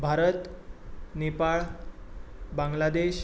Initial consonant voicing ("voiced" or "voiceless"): voiced